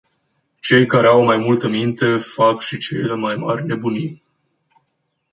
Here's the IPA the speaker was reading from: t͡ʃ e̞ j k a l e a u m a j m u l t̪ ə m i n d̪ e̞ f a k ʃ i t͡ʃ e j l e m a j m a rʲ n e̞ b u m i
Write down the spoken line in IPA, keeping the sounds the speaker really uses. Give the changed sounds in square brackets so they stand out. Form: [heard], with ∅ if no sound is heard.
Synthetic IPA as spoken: t͡ʃ e̞ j k a [ɾ] e a [w] m a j m u l t̪ ə m i n [t̪] e̞ f a k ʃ i t͡ʃ e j l e m a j m a rʲ n e̞ b u [n] i